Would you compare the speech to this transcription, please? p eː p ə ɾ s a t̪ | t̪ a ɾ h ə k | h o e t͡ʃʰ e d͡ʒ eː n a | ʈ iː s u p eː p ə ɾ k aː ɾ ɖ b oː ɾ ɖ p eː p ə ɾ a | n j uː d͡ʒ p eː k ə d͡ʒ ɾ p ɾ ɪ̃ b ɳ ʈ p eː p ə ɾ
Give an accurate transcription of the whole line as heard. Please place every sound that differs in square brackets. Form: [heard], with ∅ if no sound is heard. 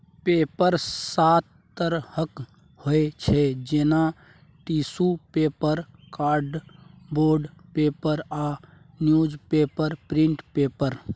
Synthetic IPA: p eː p ə ɾ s a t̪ | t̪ [ə] ɾ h ə k | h o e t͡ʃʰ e d͡ʒ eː n a | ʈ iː s u p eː p ə ɾ k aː ɾ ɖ b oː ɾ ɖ p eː p ə ɾ a | n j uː d͡ʒ p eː [p] ə [∅] ɾ p ɾ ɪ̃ [∅] ɳ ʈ p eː p ə ɾ